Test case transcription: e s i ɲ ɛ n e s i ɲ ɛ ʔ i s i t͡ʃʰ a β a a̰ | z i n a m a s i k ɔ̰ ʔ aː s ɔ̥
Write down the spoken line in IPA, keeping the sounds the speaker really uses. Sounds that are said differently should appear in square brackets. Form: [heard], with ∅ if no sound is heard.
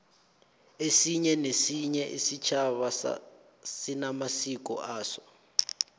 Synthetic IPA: e s i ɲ ɛ n e s i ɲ ɛ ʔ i s i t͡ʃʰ a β a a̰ | [s] i n a m a s i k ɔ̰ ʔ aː s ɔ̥